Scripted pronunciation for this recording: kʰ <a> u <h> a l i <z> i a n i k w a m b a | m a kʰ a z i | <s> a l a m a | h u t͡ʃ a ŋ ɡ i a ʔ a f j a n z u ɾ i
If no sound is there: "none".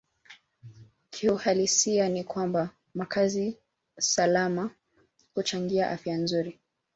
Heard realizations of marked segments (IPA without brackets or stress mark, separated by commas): i, h, s, s